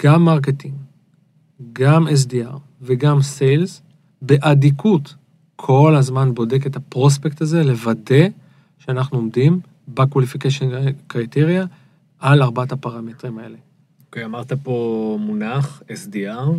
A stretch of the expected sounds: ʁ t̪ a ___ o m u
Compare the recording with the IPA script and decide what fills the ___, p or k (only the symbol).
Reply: p